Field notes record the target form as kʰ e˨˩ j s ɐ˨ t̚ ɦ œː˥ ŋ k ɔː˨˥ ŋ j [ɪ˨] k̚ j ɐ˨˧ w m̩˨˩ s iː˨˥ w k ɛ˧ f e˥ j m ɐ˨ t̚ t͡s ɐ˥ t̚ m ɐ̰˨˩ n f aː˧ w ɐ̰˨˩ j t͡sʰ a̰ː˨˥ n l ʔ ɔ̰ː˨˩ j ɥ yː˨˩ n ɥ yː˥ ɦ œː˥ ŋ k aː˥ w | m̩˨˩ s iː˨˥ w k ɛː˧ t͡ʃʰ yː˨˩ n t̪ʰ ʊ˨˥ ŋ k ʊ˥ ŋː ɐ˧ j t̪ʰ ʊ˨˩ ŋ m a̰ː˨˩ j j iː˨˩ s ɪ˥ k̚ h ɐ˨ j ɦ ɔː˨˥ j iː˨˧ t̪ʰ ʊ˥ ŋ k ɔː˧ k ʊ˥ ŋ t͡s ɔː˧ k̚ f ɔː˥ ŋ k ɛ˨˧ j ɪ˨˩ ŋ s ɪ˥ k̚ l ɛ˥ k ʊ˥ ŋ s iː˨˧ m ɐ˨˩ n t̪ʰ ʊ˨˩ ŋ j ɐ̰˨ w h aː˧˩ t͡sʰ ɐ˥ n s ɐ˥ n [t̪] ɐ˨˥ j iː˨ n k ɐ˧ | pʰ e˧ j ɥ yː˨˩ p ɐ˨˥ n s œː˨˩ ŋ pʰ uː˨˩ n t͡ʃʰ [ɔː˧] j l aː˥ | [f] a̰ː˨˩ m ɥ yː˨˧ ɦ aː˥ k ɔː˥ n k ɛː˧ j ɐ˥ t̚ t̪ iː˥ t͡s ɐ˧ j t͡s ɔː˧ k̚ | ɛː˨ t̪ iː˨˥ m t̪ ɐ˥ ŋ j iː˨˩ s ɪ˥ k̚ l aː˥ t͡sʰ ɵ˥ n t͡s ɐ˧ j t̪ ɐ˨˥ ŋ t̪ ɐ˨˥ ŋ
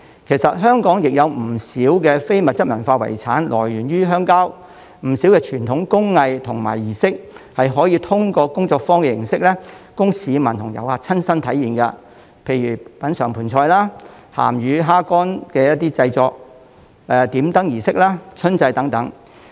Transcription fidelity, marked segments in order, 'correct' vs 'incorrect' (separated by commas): correct, incorrect, correct, incorrect